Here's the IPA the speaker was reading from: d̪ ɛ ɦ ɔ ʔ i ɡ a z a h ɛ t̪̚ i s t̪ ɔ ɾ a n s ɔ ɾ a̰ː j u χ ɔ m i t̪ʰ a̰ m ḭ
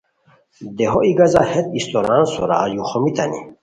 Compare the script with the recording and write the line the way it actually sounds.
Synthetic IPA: d̪ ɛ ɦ ɔ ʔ i ɡ a z a h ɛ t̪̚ i s t̪ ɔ ɾ a n s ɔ ɾ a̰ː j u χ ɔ m i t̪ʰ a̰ n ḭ

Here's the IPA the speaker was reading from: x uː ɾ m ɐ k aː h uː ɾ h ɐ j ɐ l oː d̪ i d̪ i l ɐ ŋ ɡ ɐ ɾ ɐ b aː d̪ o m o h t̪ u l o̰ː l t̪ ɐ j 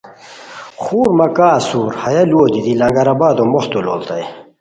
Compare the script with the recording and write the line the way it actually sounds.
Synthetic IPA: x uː ɾ m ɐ k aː s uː ɾ h ɐ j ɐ l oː d̪ i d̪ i l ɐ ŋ ɡ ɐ ɾ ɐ b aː d̪ o m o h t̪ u l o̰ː l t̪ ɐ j

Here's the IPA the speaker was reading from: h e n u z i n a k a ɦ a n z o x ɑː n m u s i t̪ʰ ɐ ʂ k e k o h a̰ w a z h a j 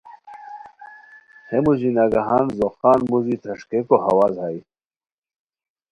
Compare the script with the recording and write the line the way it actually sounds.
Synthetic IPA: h e m u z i n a ɡ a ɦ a n z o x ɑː n m u z i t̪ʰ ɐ ʂ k e k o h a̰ w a z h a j

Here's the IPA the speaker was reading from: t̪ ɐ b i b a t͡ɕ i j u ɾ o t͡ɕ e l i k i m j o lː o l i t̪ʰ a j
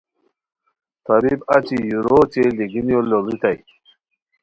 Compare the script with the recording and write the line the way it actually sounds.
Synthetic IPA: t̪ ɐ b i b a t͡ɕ i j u ɾ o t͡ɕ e l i ɡ i n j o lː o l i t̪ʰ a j

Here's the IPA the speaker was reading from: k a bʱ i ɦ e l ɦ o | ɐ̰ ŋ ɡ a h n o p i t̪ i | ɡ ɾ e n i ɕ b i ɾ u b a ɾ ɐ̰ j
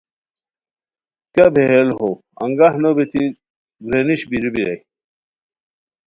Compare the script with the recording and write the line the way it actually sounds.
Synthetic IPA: k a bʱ e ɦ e l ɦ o | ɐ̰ ŋ ɡ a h n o b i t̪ i | ɡ ɾ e n i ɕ b i ɾ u b i ɾ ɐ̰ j

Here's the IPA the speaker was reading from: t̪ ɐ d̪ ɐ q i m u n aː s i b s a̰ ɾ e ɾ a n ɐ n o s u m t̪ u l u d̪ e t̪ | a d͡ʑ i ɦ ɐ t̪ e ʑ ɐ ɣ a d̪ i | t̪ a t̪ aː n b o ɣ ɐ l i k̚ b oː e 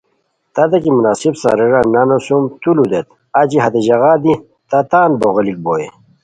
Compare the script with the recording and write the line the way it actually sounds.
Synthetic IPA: t̪ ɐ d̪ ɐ k i m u n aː s i b s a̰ ɾ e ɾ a n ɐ n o s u m t̪ u l u d̪ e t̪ | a d͡ʑ i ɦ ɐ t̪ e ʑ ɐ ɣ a d̪ i | t̪ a t̪ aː n b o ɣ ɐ l i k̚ b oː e

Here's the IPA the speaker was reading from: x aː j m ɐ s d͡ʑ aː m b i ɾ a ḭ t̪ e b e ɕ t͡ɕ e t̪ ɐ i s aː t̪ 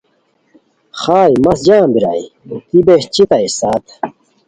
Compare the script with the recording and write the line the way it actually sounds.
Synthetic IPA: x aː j m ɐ s d͡ʑ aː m b i ɾ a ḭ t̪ i b e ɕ t͡ɕ i t̪ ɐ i s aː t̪

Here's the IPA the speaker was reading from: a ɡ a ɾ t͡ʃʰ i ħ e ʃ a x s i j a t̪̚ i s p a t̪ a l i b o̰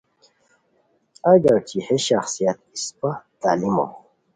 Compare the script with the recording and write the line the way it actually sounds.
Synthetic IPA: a ɡ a ɾ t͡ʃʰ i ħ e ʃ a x s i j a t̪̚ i s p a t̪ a l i m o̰

